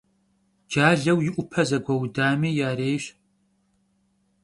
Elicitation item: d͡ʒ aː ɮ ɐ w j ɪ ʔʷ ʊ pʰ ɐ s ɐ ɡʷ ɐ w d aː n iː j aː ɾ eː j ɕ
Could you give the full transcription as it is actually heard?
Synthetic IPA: d͡ʒ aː ɮ ɐ w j ɪ ʔʷ ʊ pʰ ɐ z ɐ ɡʷ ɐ w d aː m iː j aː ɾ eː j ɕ